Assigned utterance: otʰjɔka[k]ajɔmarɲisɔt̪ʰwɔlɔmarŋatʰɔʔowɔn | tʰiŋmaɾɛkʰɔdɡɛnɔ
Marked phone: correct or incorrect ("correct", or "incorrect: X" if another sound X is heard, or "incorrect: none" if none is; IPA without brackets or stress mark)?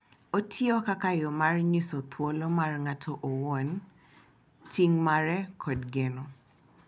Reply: correct